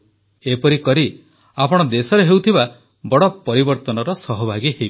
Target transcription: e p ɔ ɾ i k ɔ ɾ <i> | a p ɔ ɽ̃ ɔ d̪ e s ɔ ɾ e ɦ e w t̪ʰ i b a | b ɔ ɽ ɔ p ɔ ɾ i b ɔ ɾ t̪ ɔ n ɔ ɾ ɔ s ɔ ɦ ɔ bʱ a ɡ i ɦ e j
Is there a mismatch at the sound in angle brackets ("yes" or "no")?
no